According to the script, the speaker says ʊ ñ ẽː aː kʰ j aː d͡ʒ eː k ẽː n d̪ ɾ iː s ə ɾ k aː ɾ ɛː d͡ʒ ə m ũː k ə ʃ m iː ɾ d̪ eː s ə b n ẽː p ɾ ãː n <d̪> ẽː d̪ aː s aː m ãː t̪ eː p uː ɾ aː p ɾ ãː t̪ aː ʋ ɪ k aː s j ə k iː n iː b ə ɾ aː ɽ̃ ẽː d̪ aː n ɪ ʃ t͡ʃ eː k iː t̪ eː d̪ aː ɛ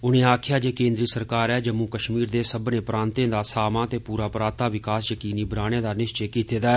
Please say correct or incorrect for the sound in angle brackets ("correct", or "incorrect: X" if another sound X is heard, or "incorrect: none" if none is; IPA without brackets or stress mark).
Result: incorrect: t̪